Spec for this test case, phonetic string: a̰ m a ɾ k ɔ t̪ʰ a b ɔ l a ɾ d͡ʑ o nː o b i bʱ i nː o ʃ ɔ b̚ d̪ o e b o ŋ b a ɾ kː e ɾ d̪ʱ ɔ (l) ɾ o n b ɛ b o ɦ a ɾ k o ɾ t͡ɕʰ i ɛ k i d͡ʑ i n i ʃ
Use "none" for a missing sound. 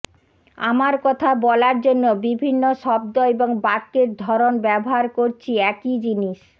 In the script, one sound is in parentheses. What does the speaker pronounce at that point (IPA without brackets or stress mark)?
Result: none